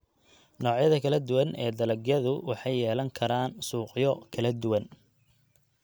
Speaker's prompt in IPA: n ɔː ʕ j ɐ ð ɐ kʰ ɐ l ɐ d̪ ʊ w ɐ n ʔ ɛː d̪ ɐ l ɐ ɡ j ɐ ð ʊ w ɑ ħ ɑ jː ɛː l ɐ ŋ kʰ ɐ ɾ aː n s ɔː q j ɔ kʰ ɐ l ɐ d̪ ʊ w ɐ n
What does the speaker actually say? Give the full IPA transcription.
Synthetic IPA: n ɔː ʕ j ɐ ð ɐ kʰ ɐ l ɐ d̪ ʊ w ɐ n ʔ ɛː d̪ ɐ l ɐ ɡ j ɐ ð ʊ w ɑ ħ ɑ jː ɛː l ɐ ŋ kʰ ɐ ɾ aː n s uː q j ɔ kʰ ɐ l ɐ d̪ ʊ w ɐ n